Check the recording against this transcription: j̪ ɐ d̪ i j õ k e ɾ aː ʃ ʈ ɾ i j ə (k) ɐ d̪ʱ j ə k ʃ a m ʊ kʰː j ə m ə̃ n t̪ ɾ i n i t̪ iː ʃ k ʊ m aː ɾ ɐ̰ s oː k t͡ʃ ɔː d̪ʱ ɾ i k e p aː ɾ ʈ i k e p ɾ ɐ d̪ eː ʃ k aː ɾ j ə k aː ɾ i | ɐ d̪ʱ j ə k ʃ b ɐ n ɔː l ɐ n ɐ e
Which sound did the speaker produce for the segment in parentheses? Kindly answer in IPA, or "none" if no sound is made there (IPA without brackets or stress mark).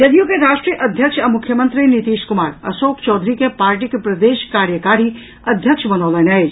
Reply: ʔ